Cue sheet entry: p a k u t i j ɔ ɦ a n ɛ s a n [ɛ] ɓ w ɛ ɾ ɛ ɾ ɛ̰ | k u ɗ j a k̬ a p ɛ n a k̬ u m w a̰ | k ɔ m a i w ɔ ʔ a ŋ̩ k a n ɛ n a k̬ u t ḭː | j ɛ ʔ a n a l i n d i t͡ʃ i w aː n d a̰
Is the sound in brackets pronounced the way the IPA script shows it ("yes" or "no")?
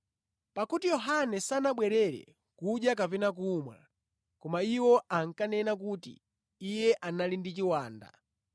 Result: no